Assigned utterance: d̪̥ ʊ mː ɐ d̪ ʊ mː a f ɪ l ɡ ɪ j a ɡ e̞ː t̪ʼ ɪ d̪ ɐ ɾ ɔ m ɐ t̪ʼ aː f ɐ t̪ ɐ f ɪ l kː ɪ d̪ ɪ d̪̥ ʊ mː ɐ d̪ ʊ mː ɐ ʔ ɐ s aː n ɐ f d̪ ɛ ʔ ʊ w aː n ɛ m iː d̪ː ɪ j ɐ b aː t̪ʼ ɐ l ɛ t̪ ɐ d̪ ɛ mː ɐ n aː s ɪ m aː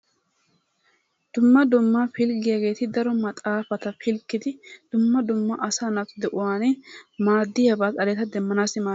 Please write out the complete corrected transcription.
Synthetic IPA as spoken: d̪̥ ʊ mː ɐ d̪ ʊ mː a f ɪ l ɡ ɪ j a ɡ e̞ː t̪ ɪ d̪ ɐ ɾ ɔ m ɐ t̪ʼ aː f ɐ t̪ ɐ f ɪ l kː ɪ d̪ ɪ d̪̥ ʊ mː ɐ d̪ ʊ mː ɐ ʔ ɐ s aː n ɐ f d̪ ɛ ʔ ʊ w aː n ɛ m aː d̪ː ɪ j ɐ b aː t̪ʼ ɐ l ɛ t̪ ɐ d̪ ɛ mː ɐ n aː s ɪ m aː